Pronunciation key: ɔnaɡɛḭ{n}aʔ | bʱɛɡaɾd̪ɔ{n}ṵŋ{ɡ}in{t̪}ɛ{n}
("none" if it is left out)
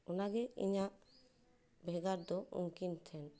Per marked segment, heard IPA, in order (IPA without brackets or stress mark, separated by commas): ɲ, none, k, t̪ʰ, n